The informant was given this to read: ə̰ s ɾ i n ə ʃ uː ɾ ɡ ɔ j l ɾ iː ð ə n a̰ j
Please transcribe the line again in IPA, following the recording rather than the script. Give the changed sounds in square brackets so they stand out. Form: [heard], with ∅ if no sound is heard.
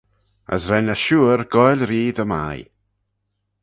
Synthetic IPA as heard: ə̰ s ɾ [ɛ] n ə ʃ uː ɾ ɡ ɔ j l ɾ iː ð ə [m] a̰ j